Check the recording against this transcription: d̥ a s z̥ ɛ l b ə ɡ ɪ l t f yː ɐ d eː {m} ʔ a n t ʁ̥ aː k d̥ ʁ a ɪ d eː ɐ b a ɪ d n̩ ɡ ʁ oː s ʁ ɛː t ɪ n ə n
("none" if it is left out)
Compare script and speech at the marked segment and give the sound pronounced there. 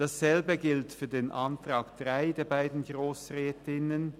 n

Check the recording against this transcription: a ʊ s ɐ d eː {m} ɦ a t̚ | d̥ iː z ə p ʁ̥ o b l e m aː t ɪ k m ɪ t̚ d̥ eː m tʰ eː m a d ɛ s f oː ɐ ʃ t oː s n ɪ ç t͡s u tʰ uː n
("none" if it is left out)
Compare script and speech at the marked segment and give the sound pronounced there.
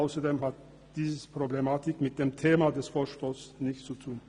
m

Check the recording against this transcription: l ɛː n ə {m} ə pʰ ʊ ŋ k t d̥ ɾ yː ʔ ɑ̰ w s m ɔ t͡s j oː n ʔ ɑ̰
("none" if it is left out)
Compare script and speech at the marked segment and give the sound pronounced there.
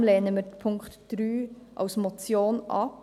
m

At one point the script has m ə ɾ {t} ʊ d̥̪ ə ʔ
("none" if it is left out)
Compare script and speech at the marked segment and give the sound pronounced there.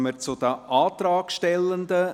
t͡s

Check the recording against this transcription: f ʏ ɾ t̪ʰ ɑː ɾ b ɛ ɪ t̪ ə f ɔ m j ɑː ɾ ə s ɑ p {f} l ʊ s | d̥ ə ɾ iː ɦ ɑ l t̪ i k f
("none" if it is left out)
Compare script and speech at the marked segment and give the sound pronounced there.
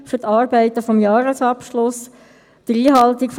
ʃ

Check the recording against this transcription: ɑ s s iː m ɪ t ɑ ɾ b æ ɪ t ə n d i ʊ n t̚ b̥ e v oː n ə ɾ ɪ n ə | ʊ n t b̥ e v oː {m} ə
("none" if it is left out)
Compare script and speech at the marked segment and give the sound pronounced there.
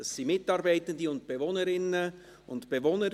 n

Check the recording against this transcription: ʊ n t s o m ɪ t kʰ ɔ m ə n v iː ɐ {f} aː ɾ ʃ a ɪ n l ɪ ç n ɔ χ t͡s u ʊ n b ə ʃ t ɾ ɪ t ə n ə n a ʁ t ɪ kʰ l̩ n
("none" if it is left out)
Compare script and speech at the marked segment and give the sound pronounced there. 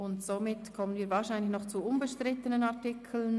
v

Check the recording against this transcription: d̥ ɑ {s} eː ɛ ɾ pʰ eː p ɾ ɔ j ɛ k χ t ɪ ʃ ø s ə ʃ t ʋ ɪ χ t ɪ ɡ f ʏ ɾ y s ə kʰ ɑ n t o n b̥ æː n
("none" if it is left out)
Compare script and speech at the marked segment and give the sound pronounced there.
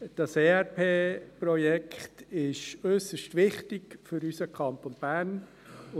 s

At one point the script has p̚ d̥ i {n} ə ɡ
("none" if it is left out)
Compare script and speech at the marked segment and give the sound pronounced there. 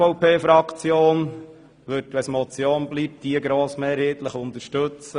none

